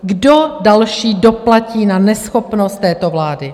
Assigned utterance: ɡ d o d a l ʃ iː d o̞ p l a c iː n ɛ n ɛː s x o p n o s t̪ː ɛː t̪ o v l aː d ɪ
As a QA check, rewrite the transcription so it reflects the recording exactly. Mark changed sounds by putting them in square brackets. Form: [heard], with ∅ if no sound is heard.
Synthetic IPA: ɡ d o d a l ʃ iː d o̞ p l a c iː n [a] n [ɛ] s x o p n o s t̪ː ɛː t̪ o v l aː d ɪ